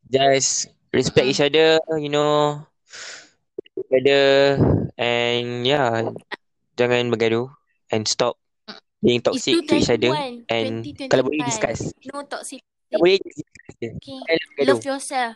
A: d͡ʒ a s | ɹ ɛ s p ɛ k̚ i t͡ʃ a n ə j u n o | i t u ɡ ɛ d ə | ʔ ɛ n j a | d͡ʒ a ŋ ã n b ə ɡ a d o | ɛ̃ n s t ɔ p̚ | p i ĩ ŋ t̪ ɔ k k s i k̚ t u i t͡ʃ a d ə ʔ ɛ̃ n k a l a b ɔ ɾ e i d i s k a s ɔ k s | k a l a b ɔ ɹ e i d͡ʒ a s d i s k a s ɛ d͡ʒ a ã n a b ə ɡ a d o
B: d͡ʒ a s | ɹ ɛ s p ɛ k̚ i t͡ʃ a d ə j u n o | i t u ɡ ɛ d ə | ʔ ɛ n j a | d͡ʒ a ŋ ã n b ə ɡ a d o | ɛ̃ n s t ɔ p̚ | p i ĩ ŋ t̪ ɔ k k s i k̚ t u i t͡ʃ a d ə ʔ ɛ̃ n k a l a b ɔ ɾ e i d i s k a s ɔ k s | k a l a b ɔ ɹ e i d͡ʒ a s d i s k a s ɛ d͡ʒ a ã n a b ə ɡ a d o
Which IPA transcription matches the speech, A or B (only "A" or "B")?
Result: B